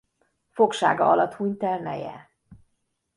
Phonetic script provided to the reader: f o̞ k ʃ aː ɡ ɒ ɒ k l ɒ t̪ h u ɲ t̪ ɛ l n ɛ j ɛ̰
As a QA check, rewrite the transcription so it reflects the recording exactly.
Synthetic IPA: f o̞ k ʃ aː ɡ ɒ ɒ l ɒ t̪ h u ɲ t̪ ɛ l n ɛ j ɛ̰